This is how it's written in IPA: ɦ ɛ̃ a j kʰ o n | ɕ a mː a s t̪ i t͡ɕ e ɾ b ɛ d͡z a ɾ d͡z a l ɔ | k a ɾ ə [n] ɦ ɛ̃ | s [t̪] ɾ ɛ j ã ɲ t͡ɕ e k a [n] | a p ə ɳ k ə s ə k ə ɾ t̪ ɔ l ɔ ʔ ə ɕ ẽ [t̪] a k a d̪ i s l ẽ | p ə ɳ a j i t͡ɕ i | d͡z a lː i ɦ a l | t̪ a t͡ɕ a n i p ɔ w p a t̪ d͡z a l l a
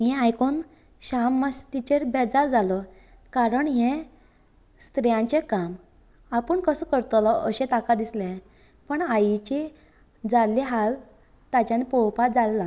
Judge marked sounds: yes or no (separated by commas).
no, yes, no, yes